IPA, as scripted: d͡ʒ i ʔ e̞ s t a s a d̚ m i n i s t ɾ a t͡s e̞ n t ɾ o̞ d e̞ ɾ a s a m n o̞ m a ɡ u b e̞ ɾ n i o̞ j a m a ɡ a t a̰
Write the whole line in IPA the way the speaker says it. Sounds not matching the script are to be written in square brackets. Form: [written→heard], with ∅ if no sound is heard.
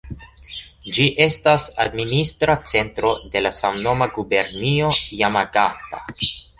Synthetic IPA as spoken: d͡ʒ i ʔ e̞ s t a s a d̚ m i n i s t ɾ a t͡s e̞ n t ɾ o̞ d e̞ [ɾ→l] a s a m n o̞ m a ɡ u b e̞ ɾ n i o̞ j a m a ɡ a t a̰